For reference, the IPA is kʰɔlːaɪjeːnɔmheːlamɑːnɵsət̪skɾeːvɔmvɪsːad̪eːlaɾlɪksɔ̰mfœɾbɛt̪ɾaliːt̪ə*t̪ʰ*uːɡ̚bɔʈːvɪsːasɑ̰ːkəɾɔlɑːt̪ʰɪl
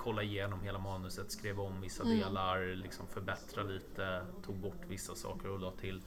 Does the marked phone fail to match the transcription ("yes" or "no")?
no